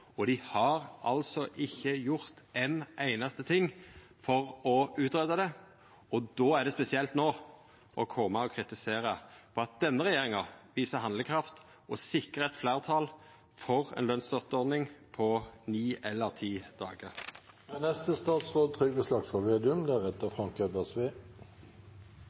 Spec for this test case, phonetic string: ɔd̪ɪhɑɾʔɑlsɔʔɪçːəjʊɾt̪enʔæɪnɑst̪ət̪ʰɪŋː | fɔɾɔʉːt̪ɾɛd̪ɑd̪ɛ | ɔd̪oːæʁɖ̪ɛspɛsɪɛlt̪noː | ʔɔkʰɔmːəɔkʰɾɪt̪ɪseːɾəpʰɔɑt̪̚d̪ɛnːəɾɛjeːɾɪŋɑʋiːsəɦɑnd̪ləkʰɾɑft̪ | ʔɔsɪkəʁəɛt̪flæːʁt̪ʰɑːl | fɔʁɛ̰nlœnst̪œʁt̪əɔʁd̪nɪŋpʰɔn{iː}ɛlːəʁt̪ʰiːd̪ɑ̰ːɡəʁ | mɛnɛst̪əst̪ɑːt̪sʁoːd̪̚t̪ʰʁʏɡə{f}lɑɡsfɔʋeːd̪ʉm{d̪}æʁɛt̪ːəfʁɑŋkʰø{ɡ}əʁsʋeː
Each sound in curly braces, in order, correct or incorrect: correct, incorrect, correct, incorrect

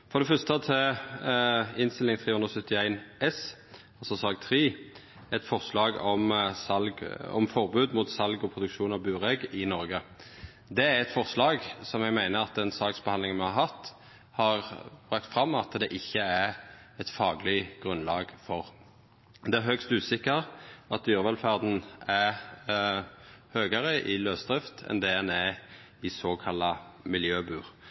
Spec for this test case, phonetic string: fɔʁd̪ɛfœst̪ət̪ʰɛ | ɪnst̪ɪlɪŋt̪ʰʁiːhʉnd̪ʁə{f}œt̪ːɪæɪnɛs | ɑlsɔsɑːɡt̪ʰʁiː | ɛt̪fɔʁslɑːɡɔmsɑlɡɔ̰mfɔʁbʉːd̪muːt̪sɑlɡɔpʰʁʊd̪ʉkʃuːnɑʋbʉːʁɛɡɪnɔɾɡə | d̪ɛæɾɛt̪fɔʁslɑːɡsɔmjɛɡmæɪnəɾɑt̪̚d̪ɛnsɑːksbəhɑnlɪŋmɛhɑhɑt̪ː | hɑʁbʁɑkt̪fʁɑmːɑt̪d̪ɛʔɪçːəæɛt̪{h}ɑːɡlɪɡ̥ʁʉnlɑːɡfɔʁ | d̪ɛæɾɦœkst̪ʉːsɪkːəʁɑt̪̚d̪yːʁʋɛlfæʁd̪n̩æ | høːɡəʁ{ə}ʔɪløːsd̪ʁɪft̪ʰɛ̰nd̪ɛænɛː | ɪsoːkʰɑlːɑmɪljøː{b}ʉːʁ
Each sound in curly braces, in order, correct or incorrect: incorrect, incorrect, correct, correct

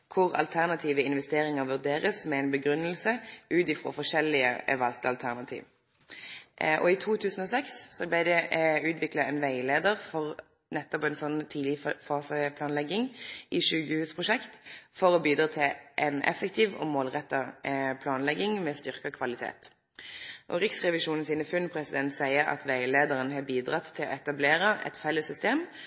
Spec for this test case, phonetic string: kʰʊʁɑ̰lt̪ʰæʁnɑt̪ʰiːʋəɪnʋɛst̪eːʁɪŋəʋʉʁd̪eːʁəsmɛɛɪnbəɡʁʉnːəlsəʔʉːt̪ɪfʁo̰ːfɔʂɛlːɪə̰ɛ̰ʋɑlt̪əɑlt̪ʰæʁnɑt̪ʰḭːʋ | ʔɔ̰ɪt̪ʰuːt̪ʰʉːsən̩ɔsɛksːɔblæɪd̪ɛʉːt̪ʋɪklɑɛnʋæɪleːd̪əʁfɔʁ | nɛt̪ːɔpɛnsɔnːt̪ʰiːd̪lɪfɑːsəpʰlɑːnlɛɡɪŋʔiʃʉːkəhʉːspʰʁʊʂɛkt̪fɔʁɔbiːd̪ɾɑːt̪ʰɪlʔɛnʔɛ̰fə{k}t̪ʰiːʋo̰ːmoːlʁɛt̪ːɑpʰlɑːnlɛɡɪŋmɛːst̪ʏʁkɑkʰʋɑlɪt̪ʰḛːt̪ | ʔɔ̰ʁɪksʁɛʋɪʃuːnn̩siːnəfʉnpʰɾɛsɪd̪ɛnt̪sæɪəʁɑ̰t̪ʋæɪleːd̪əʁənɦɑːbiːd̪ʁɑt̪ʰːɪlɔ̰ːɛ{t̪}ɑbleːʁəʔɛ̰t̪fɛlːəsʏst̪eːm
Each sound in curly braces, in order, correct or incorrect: correct, correct

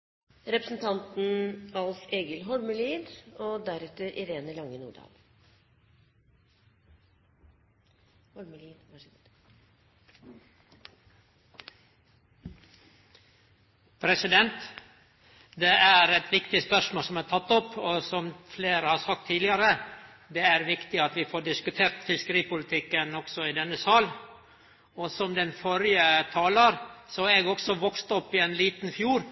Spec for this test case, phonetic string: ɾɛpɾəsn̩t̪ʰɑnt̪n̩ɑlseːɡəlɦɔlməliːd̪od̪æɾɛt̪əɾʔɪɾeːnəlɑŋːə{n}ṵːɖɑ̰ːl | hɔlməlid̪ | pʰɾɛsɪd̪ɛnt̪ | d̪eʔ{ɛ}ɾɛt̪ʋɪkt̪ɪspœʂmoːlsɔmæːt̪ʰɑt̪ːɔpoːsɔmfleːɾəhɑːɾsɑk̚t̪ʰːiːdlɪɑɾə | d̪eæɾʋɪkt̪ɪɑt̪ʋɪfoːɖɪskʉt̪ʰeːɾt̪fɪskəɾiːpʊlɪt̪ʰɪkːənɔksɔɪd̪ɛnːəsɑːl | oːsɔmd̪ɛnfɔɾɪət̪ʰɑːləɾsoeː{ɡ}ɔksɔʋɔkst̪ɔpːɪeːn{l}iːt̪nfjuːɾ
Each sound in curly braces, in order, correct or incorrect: correct, incorrect, correct, correct

